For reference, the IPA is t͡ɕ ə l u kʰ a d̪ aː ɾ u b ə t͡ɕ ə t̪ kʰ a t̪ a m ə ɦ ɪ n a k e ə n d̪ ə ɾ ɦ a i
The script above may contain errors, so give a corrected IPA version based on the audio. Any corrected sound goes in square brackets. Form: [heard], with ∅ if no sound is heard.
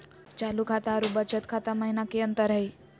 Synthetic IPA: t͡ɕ [a] l u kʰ a [t̪] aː ɾ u b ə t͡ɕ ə t̪ kʰ a t̪ a m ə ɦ [i] n a k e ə n [t̪] ə ɾ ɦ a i